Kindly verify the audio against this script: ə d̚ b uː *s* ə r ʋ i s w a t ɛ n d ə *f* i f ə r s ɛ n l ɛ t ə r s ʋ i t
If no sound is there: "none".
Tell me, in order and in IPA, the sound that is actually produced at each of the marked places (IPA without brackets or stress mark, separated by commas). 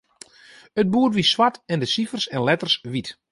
none, s